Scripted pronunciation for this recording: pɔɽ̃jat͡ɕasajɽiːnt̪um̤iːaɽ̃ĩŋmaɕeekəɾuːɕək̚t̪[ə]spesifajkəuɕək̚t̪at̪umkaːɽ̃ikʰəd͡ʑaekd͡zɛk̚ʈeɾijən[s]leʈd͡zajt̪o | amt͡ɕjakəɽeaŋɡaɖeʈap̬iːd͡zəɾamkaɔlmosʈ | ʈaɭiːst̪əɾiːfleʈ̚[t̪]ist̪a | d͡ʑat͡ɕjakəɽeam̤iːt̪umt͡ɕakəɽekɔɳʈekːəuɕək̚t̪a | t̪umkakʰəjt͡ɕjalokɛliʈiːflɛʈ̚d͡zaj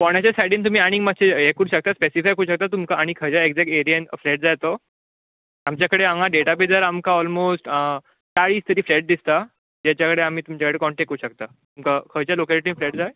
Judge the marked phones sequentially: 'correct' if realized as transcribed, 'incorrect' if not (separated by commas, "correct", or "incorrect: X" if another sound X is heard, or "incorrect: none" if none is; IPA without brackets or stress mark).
incorrect: a, incorrect: f, incorrect: d̪